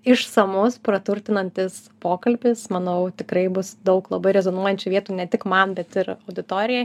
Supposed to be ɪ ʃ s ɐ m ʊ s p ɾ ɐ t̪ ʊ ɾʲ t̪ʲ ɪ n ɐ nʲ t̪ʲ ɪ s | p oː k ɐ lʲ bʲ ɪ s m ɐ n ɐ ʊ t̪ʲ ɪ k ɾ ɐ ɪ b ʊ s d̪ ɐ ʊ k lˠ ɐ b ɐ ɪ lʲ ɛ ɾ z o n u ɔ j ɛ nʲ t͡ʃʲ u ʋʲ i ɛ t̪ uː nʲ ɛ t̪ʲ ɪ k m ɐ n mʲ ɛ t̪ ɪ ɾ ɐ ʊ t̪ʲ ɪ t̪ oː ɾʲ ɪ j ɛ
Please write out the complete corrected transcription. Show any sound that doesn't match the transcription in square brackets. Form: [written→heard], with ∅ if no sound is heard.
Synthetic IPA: ɪ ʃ s ɐ m ʊ s p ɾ ɐ t̪ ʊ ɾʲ t̪ʲ ɪ n ɐ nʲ t̪ʲ ɪ s | p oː k ɐ lʲ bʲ ɪ s m ɐ n ɐ ʊ t̪ʲ ɪ k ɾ ɐ ɪ b ʊ s d̪ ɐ ʊ k lˠ ɐ b ɐ ɪ [lʲ→ɾʲ] ɛ [ɾ→∅] z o n u ɔ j ɛ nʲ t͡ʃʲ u ʋʲ i ɛ t̪ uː nʲ ɛ t̪ʲ ɪ k m ɐ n [mʲ→bʲ] ɛ t̪ ɪ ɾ ɐ ʊ [t̪ʲ→d̪ʲ] ɪ t̪ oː ɾʲ ɪ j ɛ

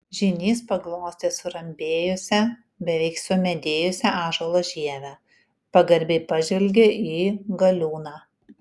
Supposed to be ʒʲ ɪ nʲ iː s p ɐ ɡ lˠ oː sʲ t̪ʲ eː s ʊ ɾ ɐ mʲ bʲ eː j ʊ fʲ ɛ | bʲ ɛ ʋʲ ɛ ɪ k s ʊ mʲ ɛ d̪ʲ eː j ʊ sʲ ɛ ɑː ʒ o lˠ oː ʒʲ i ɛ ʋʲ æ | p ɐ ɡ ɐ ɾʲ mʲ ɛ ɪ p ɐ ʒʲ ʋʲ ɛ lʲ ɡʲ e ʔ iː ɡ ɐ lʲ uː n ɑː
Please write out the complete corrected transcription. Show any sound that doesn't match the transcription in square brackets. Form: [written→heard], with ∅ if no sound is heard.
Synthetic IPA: ʒʲ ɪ nʲ iː s p ɐ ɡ lˠ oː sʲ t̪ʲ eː s ʊ ɾ ɐ mʲ bʲ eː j ʊ [fʲ→sʲ] ɛ | bʲ ɛ ʋʲ ɛ ɪ k s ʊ mʲ ɛ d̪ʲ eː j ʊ sʲ ɛ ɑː ʒ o lˠ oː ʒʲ i ɛ ʋʲ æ | p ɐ ɡ ɐ ɾʲ [mʲ→bʲ] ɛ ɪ p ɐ ʒʲ ʋʲ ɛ lʲ ɡʲ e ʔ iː ɡ ɐ lʲ uː n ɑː

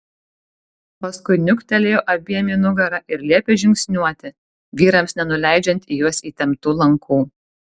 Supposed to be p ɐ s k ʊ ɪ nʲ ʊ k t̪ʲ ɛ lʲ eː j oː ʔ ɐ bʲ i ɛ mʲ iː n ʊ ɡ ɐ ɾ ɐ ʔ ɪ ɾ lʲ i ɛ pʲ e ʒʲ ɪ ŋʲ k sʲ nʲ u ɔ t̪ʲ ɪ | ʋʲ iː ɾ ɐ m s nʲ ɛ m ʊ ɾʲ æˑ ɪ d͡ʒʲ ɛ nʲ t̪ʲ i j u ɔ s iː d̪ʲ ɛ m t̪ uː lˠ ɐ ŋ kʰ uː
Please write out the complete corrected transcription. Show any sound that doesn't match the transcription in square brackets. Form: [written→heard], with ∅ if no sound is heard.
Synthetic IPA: p ɐ s k ʊ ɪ nʲ ʊ k t̪ʲ ɛ lʲ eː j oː ʔ ɐ bʲ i ɛ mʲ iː n ʊ ɡ ɐ ɾ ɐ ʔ ɪ ɾ lʲ i ɛ pʲ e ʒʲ ɪ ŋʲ k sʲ nʲ u ɔ t̪ʲ ɪ | ʋʲ iː ɾ ɐ m s nʲ ɛ [m→n] ʊ [ɾʲ→lʲ] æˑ ɪ d͡ʒʲ ɛ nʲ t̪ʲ i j u ɔ s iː [d̪ʲ→t̪ʲ] ɛ m t̪ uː lˠ ɐ ŋ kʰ uː

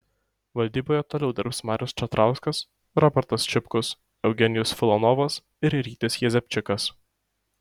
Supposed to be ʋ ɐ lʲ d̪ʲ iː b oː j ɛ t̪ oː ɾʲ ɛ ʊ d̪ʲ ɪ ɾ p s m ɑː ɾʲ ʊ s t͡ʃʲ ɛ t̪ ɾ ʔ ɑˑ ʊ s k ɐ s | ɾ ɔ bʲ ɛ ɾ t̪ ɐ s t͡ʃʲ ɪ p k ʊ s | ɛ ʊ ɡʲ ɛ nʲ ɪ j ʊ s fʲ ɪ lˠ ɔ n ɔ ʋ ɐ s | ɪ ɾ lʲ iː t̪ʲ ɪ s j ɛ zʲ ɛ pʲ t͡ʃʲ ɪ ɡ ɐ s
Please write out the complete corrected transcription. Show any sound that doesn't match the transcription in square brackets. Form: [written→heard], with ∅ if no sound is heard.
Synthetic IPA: ʋ ɐ lʲ d̪ʲ iː b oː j ɛ t̪ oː [ɾʲ→lʲ] ɛ ʊ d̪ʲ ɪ ɾ p s m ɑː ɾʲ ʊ s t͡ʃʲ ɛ t̪ ɾ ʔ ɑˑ ʊ s k ɐ s | ɾ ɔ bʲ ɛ ɾ t̪ ɐ s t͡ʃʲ ɪ p k ʊ s | ɛ ʊ ɡʲ ɛ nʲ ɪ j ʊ s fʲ ɪ lˠ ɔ n ɔ ʋ ɐ s | ɪ ɾ [lʲ→ɾʲ] iː t̪ʲ ɪ s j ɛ zʲ ɛ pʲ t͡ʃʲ ɪ [ɡ→k] ɐ s

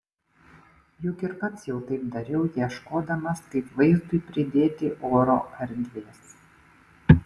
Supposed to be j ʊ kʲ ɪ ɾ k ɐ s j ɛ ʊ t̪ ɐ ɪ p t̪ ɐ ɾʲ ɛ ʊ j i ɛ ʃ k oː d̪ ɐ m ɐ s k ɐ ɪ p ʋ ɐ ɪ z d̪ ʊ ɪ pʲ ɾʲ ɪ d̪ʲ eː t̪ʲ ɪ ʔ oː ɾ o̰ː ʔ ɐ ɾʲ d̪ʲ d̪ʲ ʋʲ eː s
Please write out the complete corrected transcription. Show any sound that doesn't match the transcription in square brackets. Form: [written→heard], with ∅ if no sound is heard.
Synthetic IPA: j ʊ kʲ ɪ ɾ k ɐ s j ɛ ʊ t̪ ɐ ɪ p [t̪→d̪] ɐ ɾʲ ɛ ʊ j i ɛ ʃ k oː d̪ ɐ m ɐ s k ɐ ɪ p ʋ ɐ ɪ z d̪ ʊ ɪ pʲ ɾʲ ɪ d̪ʲ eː t̪ʲ ɪ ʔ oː ɾ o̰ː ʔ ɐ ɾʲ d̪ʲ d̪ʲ ʋʲ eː s

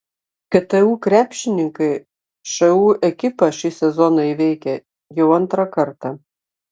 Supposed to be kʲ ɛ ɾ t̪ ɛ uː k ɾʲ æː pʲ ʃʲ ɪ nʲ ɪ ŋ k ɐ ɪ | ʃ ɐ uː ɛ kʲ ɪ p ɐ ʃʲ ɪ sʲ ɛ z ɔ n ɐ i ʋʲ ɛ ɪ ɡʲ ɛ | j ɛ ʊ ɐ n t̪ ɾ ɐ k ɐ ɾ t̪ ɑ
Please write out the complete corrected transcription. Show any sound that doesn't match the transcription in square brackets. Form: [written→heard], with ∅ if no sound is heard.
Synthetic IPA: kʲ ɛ [ɾ→∅] t̪ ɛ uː k ɾʲ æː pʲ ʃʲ ɪ nʲ ɪ ŋ k ɐ ɪ | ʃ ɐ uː ɛ kʲ ɪ p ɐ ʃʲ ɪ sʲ ɛ z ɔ n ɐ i ʋʲ ɛ ɪ [ɡʲ→kʲ] ɛ | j ɛ ʊ ɐ n t̪ ɾ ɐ k ɐ ɾ t̪ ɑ

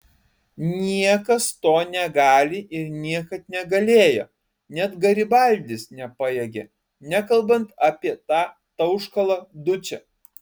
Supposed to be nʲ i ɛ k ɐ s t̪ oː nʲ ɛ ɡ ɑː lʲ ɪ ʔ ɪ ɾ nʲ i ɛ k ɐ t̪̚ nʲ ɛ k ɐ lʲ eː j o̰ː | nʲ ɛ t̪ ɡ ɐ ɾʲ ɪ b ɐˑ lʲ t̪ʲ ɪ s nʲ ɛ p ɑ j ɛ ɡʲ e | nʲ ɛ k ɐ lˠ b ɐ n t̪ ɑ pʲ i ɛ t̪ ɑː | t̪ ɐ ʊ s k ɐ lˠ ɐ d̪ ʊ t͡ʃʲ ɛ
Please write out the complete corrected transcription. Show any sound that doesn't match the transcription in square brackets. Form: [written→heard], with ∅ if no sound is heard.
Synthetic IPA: nʲ i ɛ k ɐ s t̪ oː nʲ ɛ ɡ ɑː lʲ ɪ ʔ ɪ ɾ nʲ i ɛ k ɐ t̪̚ nʲ ɛ [k→ɡ] ɐ lʲ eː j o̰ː | nʲ ɛ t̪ ɡ ɐ ɾʲ ɪ b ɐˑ lʲ [t̪ʲ→d̪ʲ] ɪ s nʲ ɛ p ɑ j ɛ ɡʲ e | nʲ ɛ k ɐ lˠ b ɐ n t̪ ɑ pʲ i ɛ t̪ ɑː | t̪ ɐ ʊ [s→ʃ] k ɐ lˠ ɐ d̪ ʊ t͡ʃʲ ɛ

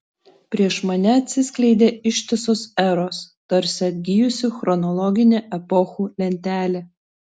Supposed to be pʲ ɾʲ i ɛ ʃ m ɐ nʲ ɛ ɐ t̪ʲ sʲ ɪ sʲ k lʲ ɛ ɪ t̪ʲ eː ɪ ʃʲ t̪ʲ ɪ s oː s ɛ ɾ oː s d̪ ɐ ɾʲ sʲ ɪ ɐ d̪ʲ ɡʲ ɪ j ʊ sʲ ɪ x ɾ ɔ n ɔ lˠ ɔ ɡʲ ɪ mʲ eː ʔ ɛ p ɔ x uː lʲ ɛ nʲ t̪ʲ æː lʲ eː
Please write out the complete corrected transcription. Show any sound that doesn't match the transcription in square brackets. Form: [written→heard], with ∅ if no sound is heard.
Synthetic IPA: pʲ ɾʲ i ɛ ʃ m ɐ nʲ ɛ ɐ t̪ʲ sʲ ɪ sʲ k lʲ ɛ ɪ [t̪ʲ→d̪ʲ] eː ɪ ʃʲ t̪ʲ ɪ s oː s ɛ ɾ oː s [d̪→t̪] ɐ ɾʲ sʲ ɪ ɐ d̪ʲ ɡʲ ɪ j ʊ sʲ ɪ x ɾ ɔ n ɔ lˠ ɔ ɡʲ ɪ [mʲ→nʲ] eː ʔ ɛ p ɔ x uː lʲ ɛ nʲ t̪ʲ æː lʲ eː

